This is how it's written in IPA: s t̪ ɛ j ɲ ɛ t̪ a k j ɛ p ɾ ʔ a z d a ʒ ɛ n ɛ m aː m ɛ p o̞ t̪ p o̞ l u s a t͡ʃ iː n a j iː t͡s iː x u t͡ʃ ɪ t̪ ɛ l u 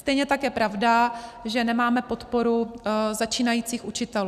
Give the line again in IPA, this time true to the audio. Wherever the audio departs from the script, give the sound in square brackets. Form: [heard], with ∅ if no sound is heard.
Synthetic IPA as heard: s t̪ ɛ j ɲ ɛ t̪ a k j ɛ p ɾ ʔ a [v] d a ʒ ɛ n ɛ m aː m ɛ p o̞ t̪ p o̞ [ɾ] u [z] a t͡ʃ iː n a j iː t͡s iː x u t͡ʃ ɪ t̪ ɛ l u